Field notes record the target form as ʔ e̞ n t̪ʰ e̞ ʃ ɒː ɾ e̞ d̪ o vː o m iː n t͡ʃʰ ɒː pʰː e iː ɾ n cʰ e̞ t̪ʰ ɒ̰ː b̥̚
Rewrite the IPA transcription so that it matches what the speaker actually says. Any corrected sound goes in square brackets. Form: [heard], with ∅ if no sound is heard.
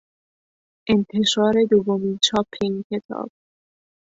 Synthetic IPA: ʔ e̞ n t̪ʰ e̞ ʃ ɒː ɾ e̞ d̪ o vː o m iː n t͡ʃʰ ɒː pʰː e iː [∅] n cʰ e̞ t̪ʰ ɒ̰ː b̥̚